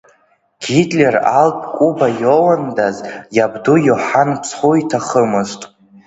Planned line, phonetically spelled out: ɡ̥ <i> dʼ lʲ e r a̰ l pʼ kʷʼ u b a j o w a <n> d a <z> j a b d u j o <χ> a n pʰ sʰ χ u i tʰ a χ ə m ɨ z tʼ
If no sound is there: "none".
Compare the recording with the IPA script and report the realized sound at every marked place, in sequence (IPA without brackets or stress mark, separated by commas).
i, n, z, ħ